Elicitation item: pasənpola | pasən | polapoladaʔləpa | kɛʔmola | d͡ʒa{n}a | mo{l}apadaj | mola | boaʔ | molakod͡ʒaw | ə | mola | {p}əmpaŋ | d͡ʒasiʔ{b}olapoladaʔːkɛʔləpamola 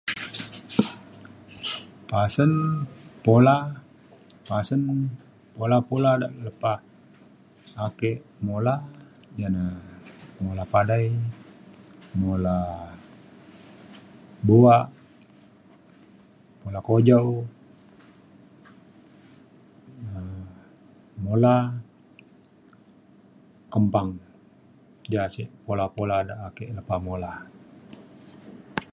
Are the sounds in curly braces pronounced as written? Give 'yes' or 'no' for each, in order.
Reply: yes, yes, no, no

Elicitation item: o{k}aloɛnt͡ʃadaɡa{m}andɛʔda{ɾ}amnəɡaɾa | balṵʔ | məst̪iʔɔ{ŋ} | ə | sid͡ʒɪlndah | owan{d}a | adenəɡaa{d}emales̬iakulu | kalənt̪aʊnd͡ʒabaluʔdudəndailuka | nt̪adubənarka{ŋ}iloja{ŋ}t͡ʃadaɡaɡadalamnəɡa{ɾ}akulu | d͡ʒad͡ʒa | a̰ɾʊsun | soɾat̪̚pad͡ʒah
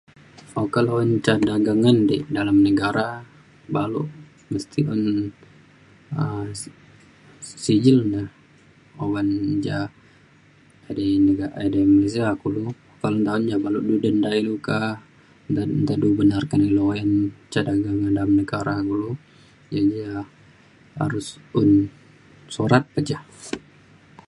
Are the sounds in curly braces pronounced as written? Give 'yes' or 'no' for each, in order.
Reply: yes, no, no, no, no, yes, no, no, yes

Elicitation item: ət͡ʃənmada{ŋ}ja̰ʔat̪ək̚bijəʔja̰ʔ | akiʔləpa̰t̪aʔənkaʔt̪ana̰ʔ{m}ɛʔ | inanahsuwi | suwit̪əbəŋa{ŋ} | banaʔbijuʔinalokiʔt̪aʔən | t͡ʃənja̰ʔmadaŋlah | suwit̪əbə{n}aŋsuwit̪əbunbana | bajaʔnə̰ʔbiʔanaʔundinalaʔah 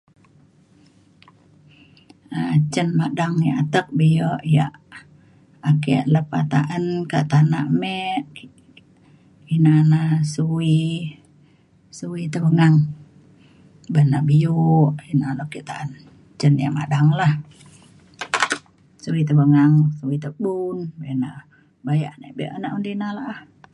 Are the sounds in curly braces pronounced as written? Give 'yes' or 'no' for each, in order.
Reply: yes, yes, yes, no

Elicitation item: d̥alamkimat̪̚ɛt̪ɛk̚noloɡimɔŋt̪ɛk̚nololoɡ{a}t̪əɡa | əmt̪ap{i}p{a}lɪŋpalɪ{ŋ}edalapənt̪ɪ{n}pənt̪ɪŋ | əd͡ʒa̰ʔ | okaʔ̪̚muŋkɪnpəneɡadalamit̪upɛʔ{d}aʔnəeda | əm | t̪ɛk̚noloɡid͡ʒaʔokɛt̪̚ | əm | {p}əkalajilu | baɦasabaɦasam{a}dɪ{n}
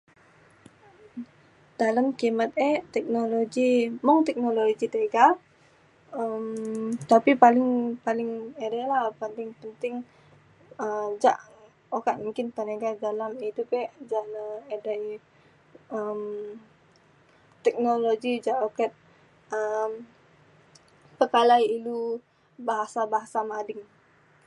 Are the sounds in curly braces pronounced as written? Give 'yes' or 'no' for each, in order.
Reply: no, yes, yes, yes, no, no, yes, yes, no

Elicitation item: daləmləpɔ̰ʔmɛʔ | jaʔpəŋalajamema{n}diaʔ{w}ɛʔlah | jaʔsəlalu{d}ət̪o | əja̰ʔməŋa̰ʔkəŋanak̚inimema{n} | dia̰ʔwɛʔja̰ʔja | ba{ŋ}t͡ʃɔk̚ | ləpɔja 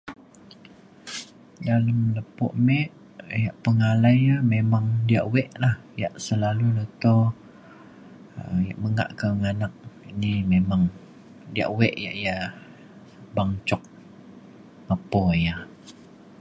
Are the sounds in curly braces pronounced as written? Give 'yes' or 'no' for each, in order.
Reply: no, yes, no, no, yes

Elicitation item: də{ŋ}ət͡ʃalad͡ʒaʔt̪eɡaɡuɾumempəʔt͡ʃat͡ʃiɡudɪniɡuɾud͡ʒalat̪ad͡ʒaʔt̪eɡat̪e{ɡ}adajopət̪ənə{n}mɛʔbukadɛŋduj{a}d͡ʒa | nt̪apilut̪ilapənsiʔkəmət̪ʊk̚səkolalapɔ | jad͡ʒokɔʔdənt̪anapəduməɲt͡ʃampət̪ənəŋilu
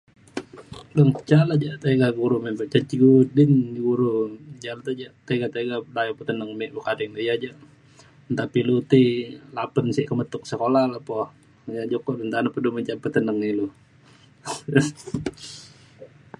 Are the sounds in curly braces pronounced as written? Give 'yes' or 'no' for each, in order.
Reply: yes, yes, no, yes

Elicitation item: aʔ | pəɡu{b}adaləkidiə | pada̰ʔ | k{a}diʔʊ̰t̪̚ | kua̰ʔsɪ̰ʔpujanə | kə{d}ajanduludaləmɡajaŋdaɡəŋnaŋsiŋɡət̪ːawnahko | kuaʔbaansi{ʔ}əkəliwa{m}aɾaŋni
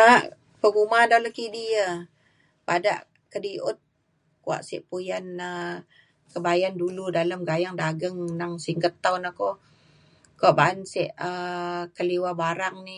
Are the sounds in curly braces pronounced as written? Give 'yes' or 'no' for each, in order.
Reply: no, no, no, yes, no

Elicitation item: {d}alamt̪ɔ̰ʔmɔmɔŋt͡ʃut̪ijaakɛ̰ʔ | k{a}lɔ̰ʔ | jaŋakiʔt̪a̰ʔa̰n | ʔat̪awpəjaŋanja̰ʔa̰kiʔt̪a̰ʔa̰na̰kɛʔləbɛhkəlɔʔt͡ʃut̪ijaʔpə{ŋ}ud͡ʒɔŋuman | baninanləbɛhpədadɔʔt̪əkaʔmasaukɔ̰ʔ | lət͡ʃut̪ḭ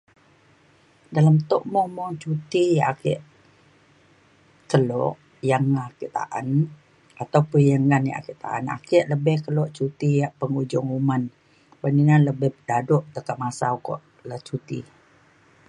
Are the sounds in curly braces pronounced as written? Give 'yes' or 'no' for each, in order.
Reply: yes, no, yes

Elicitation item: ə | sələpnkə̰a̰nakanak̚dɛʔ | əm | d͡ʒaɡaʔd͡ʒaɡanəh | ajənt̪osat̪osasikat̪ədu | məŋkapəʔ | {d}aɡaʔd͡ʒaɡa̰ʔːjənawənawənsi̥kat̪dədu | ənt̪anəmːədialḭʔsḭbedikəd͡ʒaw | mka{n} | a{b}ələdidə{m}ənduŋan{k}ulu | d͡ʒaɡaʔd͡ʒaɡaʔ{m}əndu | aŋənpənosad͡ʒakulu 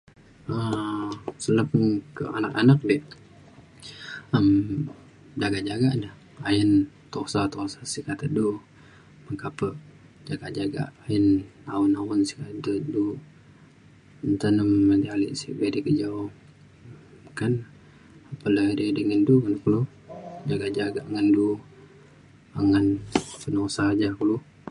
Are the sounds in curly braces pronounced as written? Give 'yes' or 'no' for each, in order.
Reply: no, yes, no, no, yes, no

